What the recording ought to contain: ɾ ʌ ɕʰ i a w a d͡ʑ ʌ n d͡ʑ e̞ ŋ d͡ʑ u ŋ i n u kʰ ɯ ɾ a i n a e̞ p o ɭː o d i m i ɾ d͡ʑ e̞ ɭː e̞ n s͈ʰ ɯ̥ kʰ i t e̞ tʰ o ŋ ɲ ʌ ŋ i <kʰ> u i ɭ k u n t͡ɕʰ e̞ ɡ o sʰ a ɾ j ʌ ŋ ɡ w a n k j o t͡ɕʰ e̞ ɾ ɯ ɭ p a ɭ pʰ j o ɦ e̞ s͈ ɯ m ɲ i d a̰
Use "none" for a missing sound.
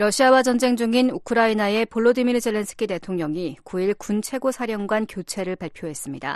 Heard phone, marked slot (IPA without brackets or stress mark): k